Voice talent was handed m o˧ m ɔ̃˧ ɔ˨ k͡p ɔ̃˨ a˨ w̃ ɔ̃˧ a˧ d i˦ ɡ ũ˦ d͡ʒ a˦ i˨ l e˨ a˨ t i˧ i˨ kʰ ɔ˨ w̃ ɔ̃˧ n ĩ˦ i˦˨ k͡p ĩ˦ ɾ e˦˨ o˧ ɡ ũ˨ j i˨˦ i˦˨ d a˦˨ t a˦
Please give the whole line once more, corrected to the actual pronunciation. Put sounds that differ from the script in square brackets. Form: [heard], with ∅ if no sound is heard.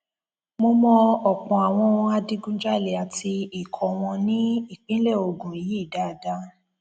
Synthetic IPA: m o˧ m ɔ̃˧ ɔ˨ k͡p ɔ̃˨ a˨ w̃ ɔ̃˧ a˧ d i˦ ɡ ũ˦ d͡ʒ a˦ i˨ l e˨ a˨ t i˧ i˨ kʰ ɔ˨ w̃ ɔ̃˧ n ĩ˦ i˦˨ k͡p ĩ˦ [l] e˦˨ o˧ ɡ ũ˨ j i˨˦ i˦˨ d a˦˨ [d] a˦